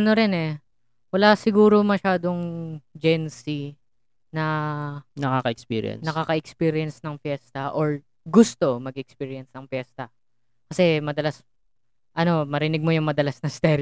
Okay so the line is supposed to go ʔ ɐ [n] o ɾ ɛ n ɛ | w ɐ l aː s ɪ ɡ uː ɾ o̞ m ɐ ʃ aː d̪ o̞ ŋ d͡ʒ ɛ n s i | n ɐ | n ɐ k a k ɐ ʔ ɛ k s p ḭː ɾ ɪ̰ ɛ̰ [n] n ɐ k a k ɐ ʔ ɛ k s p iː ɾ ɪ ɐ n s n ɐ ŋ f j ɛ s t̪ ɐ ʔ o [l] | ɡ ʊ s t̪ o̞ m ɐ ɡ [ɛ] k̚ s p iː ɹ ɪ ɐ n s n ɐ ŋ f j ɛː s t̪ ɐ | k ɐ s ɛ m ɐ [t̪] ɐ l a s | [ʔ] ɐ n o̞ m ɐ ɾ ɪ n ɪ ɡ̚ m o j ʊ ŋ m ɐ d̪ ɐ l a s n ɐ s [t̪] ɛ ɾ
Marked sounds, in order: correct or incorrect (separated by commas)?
correct, correct, incorrect, correct, incorrect, correct, correct